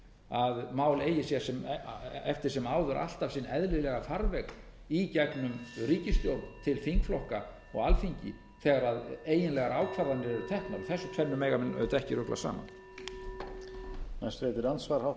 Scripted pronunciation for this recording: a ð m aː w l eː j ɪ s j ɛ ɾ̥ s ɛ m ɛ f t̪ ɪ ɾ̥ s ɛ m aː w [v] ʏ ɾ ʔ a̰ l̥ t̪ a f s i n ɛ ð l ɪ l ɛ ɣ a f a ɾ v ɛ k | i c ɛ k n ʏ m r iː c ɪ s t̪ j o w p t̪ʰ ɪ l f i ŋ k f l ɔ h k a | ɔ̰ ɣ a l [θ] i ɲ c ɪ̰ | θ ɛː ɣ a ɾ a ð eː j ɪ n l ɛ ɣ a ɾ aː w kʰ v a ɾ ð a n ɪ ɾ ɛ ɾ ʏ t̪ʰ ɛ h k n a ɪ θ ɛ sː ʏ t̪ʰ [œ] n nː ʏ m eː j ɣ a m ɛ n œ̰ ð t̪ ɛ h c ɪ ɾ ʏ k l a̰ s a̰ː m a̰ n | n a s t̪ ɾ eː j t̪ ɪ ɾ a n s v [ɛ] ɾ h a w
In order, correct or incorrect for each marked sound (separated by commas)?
incorrect, incorrect, incorrect, incorrect